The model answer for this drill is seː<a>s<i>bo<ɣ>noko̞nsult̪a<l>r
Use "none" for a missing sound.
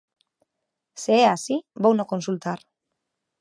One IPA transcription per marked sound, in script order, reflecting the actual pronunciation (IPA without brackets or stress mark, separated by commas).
a, i, w, none